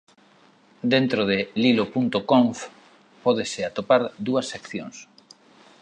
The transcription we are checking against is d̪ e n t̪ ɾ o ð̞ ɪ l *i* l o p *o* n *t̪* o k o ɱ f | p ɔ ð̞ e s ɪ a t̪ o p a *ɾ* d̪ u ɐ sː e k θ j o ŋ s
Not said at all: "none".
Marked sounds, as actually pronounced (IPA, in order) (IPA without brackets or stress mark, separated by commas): i, u, t̪, ɾ